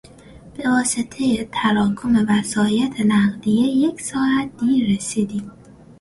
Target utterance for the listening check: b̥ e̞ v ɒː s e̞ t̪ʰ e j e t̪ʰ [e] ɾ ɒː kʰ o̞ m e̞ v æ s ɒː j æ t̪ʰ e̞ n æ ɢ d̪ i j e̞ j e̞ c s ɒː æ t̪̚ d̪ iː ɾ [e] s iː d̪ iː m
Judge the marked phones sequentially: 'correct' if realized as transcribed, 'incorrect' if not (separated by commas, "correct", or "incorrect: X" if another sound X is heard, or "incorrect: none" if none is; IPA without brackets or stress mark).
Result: incorrect: æ, correct